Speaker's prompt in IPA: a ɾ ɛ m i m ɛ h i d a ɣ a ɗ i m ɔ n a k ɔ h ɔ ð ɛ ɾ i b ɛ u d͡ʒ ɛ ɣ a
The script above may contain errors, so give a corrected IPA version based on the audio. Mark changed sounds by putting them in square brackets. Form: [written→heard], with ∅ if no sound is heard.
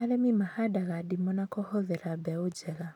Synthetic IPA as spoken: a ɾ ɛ m i m [ɛ→a] h [i→a] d a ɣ a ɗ i m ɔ n a k ɔ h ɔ ð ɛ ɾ [i→a] b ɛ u d͡ʒ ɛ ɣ a